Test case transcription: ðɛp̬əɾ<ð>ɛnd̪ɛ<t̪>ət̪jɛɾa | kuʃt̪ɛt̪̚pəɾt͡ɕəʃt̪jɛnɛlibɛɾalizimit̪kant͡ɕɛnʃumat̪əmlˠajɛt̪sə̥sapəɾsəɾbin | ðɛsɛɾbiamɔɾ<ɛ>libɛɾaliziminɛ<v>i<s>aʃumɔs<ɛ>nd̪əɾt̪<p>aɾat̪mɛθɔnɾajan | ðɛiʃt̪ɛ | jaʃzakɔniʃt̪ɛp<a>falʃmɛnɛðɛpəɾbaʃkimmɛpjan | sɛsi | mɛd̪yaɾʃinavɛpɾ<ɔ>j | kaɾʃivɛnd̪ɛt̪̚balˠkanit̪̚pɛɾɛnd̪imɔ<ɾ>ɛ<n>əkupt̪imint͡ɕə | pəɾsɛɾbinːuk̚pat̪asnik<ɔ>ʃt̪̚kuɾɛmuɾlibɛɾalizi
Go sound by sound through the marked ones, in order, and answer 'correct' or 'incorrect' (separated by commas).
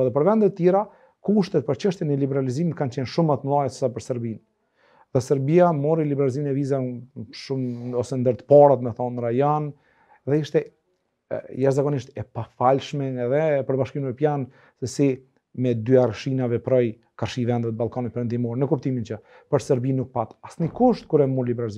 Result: incorrect, correct, incorrect, correct, incorrect, correct, correct, correct, correct, correct, correct, incorrect